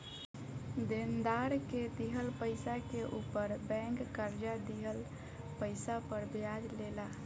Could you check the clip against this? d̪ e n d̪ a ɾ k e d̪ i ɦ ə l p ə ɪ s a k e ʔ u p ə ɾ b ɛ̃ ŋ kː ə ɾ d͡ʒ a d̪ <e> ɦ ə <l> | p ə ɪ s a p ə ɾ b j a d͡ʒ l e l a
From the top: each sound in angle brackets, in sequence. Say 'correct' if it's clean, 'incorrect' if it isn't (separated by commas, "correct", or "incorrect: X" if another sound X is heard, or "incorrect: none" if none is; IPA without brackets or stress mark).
incorrect: i, correct